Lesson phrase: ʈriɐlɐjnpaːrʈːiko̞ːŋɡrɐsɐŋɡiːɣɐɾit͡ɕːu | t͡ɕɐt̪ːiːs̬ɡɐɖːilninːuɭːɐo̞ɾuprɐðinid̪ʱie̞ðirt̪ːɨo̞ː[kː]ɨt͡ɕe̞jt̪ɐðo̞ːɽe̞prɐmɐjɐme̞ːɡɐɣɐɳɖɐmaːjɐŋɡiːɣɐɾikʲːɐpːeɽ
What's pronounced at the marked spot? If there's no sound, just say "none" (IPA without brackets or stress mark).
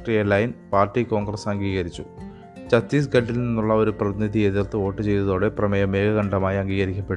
ʈː